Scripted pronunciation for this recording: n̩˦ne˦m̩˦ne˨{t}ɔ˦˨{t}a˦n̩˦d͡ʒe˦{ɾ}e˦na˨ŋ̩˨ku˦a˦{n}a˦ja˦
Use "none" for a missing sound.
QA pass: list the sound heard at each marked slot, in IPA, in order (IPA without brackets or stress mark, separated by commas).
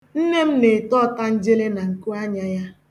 t, t, l, ɲ